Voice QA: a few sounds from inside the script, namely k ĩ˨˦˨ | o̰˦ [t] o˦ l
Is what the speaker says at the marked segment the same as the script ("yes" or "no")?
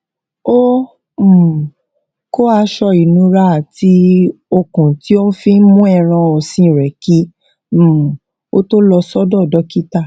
yes